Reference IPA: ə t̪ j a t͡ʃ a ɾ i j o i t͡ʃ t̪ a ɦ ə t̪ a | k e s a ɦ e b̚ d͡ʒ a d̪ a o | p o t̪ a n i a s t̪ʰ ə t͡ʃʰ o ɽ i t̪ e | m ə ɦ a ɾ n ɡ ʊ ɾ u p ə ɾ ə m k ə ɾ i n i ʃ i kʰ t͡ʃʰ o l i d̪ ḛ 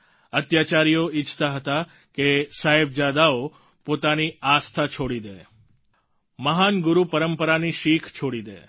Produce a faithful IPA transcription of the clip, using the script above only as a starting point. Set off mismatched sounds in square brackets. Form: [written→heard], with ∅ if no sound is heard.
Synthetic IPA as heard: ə t̪ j a t͡ʃ a ɾ i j o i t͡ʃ t̪ a ɦ ə t̪ a | k e s a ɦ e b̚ d͡ʒ a d̪ a o | p o t̪ a n i a s t̪ʰ [ə→a] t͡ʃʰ o ɽ i [t̪→d̪] e | m ə ɦ a [ɾ→∅] n ɡ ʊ ɾ u p ə ɾ ə m [k→p] ə ɾ [i→a] n i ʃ i kʰ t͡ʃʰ o [l→ɽ] i d̪ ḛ